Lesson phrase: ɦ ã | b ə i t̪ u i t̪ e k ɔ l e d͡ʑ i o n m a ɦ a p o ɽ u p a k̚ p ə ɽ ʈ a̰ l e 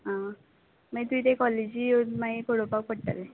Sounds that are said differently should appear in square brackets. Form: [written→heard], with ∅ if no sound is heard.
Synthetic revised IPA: ɦ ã | [b→m] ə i t̪ u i t̪ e k ɔ l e d͡ʑ i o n m a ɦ [a→i] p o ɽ [u→o] p a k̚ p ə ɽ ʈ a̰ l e